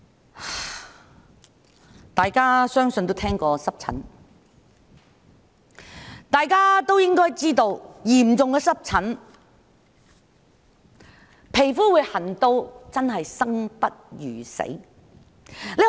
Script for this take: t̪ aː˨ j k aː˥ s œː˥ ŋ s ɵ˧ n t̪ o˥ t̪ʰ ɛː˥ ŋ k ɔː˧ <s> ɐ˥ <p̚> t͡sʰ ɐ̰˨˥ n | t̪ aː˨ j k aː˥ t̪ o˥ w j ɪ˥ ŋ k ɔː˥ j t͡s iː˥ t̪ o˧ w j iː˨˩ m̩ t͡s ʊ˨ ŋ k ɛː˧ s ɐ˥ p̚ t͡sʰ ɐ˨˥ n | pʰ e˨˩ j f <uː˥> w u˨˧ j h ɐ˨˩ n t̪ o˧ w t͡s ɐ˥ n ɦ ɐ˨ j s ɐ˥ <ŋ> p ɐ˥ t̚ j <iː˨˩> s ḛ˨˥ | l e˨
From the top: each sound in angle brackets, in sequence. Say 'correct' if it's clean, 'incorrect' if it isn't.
correct, correct, correct, correct, incorrect: yː˨˩

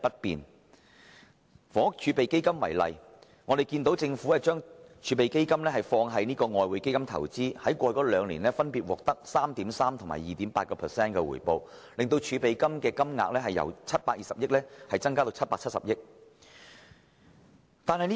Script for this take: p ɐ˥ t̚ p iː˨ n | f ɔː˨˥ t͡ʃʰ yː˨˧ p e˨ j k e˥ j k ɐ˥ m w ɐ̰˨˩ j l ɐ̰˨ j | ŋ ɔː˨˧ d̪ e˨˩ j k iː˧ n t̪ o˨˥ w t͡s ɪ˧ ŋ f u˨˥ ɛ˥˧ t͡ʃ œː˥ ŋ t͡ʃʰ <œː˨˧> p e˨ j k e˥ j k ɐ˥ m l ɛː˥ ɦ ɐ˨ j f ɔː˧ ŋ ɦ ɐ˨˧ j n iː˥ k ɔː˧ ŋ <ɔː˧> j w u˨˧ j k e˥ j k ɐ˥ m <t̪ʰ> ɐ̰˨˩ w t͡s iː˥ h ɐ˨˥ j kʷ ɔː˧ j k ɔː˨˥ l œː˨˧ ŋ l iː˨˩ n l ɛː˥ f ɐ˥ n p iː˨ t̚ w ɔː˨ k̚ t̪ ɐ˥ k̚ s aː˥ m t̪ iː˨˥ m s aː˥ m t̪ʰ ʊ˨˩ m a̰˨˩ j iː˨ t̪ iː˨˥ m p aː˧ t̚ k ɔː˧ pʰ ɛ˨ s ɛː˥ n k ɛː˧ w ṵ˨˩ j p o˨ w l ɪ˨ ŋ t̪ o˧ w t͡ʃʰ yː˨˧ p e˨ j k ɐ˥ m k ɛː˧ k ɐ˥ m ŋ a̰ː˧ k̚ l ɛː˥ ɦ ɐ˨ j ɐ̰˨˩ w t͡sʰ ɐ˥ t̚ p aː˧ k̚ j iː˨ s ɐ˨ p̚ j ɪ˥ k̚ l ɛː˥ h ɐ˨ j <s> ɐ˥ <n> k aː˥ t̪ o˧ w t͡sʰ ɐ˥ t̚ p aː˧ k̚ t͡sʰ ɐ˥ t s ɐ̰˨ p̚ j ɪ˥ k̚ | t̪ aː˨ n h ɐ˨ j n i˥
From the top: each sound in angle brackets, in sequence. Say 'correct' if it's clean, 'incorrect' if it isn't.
incorrect: yː˨˧, correct, correct, incorrect: t͡s, incorrect: ŋ

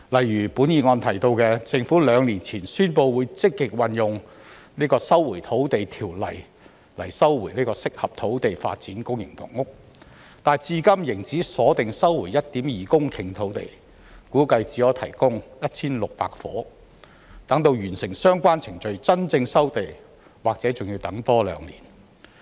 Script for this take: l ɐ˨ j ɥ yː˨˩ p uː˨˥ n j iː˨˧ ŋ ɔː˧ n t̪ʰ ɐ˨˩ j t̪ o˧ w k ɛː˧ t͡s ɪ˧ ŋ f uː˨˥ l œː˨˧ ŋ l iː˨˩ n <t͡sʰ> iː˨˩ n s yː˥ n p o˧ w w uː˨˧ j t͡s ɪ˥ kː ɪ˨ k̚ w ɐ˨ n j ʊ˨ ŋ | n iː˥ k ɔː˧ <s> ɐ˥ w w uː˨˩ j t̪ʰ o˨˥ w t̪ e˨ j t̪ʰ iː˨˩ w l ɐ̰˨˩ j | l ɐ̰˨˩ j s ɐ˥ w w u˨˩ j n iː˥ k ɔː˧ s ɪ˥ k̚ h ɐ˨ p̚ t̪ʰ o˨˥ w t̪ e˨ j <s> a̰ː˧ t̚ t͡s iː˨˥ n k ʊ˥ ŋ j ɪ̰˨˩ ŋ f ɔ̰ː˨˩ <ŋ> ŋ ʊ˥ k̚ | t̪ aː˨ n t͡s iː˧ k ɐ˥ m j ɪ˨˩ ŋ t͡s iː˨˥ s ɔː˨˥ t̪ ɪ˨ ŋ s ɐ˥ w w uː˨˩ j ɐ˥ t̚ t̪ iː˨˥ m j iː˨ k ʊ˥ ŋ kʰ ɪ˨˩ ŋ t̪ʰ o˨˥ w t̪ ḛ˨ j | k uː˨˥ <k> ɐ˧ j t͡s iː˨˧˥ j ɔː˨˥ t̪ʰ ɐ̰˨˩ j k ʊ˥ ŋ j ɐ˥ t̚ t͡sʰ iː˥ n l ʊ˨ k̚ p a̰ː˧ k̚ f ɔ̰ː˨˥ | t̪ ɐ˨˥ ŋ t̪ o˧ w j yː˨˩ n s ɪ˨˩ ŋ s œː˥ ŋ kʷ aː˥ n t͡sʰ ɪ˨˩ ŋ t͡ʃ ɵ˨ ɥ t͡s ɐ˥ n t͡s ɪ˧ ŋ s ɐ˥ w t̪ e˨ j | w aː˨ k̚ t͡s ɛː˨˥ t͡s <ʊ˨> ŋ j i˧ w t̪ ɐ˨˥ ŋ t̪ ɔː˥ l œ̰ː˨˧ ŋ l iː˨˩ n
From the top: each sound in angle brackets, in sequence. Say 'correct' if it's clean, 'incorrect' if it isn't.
correct, correct, incorrect: f, correct, correct, correct

